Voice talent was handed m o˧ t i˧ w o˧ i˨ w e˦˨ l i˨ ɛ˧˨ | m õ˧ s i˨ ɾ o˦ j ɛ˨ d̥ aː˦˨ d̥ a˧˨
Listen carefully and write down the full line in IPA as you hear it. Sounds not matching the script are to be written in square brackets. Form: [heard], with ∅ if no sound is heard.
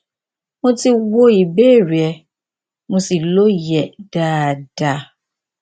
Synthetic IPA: m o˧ t i˧ w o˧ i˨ [b] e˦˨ [ɾ] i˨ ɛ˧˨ | m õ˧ s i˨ [l] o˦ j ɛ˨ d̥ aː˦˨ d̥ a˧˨